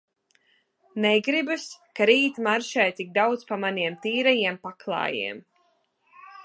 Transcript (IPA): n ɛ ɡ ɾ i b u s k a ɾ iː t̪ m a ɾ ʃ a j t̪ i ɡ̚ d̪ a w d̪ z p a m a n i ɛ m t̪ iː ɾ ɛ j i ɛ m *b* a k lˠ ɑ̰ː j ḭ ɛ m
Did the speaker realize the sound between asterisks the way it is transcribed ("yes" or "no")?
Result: no